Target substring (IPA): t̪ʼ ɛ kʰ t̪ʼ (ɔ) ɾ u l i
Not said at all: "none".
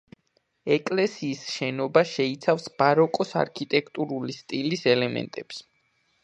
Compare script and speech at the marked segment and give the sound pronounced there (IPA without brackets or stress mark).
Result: u